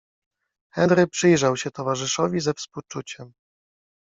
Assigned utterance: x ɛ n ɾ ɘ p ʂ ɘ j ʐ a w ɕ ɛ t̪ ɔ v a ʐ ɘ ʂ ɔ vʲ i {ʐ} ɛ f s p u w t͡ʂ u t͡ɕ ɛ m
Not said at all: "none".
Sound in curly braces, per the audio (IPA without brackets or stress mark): z